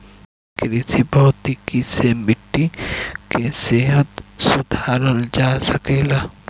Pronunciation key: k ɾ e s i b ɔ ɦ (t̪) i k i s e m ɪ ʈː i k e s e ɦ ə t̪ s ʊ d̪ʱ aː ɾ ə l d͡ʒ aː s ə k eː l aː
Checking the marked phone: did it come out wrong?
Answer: no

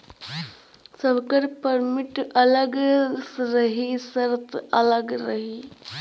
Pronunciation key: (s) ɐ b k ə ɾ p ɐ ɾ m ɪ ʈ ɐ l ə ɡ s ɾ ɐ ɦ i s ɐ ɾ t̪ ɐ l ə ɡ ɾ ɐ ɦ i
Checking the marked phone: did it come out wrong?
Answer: no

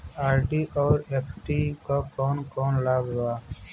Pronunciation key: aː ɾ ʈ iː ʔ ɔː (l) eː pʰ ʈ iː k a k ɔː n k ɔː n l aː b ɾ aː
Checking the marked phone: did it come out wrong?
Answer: yes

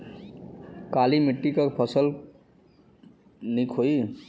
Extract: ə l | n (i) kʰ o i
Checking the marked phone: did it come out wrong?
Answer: no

